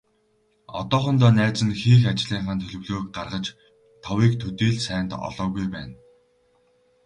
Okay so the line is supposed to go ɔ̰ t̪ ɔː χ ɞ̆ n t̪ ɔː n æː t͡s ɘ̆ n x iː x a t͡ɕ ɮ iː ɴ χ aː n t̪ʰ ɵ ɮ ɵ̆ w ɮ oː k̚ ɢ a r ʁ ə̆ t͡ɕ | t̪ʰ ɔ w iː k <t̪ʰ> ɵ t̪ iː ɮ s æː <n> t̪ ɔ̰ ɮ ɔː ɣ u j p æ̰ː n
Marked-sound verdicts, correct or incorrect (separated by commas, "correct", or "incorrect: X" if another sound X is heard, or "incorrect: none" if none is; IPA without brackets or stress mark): correct, correct